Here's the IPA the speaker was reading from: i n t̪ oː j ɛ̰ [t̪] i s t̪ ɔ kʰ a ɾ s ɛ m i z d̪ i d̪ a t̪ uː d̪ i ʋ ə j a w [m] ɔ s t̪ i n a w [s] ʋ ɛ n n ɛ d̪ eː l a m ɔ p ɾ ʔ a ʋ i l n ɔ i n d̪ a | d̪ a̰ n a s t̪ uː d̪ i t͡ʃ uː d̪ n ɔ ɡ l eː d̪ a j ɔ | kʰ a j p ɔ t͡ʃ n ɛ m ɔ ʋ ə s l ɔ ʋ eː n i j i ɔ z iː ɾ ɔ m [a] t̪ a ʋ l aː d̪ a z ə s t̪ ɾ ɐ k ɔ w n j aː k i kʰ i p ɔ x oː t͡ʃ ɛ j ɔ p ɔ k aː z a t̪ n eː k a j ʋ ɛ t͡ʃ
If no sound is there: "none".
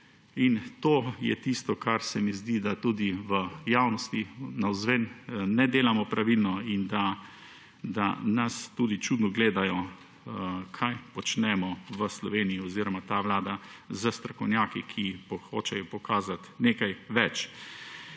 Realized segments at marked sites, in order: t̪, n, z, a

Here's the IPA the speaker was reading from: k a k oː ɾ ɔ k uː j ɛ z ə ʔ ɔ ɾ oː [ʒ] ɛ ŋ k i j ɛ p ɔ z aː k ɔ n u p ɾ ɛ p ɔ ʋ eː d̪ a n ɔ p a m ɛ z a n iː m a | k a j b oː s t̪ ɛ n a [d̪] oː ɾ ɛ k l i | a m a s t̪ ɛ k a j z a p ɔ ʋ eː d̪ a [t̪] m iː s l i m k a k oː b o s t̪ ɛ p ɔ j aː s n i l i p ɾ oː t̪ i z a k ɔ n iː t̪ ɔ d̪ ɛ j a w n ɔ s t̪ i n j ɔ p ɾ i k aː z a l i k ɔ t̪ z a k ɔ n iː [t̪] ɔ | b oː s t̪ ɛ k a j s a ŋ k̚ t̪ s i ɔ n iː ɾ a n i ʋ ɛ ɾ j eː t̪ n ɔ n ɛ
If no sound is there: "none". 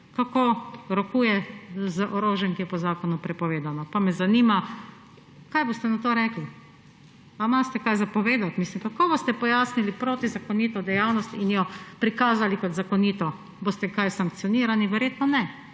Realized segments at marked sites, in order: ʒ, t̪, t̪, t̪

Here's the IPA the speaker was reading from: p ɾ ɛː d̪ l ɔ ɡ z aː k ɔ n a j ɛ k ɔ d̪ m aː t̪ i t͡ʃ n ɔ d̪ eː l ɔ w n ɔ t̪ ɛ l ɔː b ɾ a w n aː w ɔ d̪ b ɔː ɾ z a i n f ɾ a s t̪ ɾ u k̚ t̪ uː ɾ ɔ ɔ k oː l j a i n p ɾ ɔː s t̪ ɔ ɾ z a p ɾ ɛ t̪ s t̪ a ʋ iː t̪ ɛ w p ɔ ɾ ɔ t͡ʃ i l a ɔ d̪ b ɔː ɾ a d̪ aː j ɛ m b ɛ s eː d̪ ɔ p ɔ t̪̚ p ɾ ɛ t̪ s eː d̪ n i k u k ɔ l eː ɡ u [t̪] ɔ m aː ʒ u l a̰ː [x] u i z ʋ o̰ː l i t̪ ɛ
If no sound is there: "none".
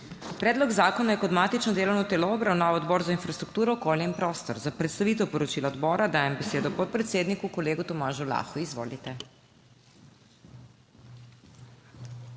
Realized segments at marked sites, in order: t̪, x

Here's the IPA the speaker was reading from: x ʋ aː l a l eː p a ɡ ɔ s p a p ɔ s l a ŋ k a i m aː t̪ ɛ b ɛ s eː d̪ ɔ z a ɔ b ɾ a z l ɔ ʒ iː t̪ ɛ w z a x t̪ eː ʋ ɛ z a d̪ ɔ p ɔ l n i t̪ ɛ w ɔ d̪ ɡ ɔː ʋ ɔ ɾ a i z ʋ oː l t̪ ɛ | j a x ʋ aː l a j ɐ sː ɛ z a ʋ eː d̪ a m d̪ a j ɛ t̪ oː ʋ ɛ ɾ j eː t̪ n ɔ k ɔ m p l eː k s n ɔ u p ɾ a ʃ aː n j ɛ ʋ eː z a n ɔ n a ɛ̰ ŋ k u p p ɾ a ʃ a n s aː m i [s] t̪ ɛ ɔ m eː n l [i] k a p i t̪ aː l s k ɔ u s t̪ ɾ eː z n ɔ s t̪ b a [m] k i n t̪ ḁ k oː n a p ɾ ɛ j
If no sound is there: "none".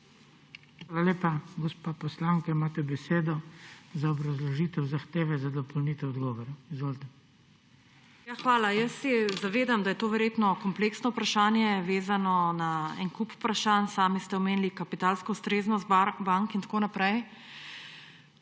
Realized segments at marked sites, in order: s, i, ŋ

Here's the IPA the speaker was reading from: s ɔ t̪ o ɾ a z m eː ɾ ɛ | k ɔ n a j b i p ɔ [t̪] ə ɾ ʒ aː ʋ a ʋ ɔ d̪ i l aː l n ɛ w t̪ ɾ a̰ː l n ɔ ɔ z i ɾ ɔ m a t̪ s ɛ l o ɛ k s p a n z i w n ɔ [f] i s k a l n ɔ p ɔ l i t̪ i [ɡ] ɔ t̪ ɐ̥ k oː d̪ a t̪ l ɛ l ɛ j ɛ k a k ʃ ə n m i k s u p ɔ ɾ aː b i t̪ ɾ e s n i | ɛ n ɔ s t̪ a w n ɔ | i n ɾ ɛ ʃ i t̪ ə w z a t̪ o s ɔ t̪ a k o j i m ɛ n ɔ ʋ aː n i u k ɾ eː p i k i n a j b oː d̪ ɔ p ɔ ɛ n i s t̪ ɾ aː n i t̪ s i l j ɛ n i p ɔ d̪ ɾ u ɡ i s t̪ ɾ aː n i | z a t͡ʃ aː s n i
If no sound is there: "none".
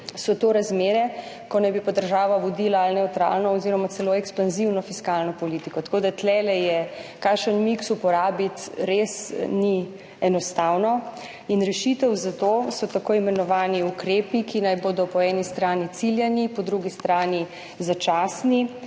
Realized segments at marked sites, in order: d̪, f, k

